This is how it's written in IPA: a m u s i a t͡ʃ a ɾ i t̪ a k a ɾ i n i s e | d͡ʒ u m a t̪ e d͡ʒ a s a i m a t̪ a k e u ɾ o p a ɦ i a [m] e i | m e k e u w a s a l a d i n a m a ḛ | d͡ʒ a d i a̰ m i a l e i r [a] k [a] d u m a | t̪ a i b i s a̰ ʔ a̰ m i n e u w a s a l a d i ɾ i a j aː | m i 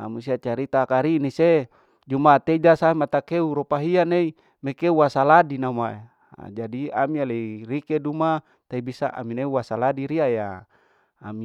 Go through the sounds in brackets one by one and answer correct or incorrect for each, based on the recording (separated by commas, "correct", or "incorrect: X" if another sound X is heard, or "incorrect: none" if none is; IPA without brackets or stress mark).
incorrect: n, incorrect: i, incorrect: e